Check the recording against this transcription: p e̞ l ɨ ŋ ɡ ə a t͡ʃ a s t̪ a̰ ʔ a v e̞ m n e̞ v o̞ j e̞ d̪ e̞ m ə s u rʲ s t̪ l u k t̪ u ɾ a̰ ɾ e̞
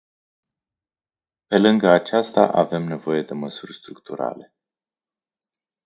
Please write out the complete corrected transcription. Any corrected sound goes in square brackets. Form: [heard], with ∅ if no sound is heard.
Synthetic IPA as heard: p e̞ l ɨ ŋ ɡ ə a t͡ʃ a s t̪ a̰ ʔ a v e̞ m n e̞ v o̞ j e̞ d̪ e̞ m ə s u rʲ s t̪ [ɾ] u k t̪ u ɾ a̰ [l] e̞